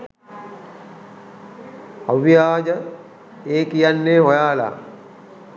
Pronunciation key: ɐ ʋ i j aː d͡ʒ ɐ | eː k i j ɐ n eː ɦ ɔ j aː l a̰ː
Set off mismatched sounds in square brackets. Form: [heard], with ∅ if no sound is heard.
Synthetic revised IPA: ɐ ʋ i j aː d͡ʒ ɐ | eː k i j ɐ [nː] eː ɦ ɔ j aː l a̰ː